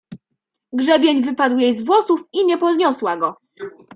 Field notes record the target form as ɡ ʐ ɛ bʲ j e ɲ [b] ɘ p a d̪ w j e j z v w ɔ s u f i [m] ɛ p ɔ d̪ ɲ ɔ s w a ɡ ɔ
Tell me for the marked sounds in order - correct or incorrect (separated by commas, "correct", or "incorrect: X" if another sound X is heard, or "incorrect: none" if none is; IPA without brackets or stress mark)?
incorrect: v, incorrect: ɲ